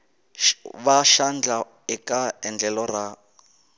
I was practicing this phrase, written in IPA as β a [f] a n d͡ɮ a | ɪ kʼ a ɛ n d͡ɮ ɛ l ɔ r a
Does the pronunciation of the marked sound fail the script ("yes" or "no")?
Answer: yes